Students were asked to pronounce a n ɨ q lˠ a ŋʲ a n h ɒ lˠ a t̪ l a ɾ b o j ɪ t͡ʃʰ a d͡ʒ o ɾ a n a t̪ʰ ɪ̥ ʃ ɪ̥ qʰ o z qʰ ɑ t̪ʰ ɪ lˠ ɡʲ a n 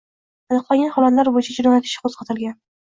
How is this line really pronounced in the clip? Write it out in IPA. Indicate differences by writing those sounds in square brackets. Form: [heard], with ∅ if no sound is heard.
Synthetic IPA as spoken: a n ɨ q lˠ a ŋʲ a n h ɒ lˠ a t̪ l a ɾ b o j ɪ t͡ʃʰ a d͡ʒ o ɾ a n a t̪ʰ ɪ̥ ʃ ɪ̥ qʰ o z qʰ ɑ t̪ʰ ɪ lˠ ɡʲ a n